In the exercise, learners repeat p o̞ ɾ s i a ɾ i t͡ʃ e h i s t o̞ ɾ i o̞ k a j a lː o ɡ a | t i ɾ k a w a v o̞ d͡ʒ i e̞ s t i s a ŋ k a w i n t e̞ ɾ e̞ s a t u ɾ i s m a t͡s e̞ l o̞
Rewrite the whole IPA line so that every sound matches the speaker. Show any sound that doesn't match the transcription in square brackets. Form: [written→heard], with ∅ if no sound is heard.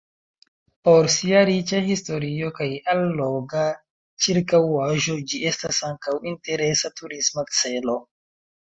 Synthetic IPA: p o̞ ɾ s i a ɾ i t͡ʃ [e→a] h i s t o̞ ɾ i o̞ k a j a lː o ɡ a | [t→t͡ʃ] i ɾ k a w a [v→ʒ] o̞ d͡ʒ i e̞ s t [i→a] s a ŋ k a w i n t e̞ ɾ e̞ s a t u ɾ i s m a t͡s e̞ l o̞